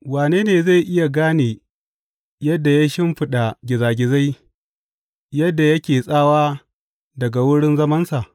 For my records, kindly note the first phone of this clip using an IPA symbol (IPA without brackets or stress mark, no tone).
w